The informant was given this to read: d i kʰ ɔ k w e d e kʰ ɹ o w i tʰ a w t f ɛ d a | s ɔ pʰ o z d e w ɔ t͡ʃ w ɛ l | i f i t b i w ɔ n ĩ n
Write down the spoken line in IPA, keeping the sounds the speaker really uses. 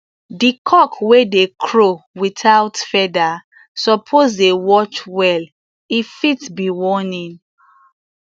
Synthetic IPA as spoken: d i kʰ ɔ k w e d e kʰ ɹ o w i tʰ a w t f ɛ d a | s ɔ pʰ o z d e w ɔ t͡ʃ w ɛ l | i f i t b i w ɔ n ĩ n